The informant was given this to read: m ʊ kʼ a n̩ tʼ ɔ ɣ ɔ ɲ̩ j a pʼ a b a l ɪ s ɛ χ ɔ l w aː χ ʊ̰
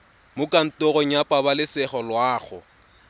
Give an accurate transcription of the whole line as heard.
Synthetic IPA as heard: m ʊ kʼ a n̩ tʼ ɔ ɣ ɔ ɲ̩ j a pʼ a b a l ɪ s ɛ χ ɔ l w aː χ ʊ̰